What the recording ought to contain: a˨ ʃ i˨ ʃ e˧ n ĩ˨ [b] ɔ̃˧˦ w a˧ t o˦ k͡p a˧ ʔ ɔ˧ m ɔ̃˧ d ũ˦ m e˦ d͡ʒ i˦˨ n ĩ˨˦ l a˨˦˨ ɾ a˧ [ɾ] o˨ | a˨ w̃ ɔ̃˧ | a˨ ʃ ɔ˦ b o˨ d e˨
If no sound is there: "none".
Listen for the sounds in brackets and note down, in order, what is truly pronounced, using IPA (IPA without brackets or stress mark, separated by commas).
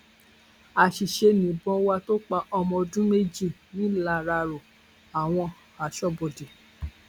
b, ɾ